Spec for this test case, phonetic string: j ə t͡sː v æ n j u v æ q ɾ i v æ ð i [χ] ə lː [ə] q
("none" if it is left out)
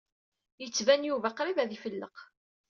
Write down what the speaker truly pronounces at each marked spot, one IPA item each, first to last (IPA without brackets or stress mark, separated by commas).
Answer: f, ə